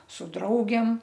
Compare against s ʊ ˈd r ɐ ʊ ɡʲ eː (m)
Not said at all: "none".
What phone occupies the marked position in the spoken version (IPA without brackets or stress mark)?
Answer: m